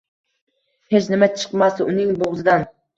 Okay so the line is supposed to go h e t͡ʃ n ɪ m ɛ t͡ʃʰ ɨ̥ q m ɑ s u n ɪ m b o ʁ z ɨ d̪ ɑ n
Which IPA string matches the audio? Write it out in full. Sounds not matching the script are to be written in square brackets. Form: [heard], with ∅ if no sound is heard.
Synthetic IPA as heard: h e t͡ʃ n ɪ m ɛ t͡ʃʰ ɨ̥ q m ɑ s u n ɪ [ŋ] b o ʁ z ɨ d̪ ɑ n